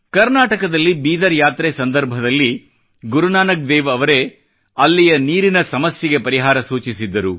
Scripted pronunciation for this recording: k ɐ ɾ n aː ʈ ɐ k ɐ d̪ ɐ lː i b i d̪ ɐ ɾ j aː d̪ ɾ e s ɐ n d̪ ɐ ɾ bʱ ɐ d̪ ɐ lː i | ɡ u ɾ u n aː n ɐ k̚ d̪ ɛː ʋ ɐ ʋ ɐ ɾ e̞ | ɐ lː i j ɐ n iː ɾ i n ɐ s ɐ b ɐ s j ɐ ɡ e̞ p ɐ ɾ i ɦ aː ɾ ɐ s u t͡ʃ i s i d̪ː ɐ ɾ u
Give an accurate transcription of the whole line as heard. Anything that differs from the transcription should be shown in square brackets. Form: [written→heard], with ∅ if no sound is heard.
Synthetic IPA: k ɐ ɾ n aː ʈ ɐ k ɐ d̪ ɐ lː i b [i→iː] d̪ ɐ ɾ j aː [d̪→t̪] ɾ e s ɐ n d̪ ɐ ɾ bʱ ɐ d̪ ɐ lː i | ɡ u ɾ u n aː n ɐ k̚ d̪ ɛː ʋ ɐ ʋ ɐ ɾ e̞ | ɐ lː i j ɐ n iː ɾ i n ɐ s ɐ [b→m] ɐ s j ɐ ɡ e̞ p ɐ ɾ i ɦ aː ɾ ɐ s [u→uː] t͡ʃ i s i d̪ː ɐ ɾ u